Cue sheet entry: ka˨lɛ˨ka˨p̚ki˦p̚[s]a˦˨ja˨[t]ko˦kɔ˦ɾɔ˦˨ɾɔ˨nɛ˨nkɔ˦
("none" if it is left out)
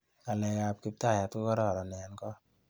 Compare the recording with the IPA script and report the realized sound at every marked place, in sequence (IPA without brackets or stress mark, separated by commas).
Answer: t, t